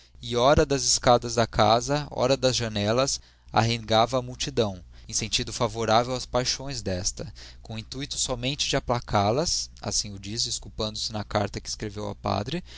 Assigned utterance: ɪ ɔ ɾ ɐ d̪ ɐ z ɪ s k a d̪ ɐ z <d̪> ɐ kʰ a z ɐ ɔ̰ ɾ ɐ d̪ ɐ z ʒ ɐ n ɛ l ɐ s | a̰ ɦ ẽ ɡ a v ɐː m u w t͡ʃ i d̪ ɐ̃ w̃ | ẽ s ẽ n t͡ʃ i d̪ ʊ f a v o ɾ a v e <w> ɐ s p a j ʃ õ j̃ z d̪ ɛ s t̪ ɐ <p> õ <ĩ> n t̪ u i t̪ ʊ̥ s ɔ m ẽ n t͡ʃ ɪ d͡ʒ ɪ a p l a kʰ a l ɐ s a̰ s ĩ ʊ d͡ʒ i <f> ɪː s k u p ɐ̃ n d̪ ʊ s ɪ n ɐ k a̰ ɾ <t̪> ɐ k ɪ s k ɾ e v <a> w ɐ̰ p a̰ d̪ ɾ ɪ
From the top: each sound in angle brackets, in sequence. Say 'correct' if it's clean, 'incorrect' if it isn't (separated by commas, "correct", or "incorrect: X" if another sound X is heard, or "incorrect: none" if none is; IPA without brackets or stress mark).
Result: correct, correct, incorrect: k, correct, incorrect: s, correct, incorrect: e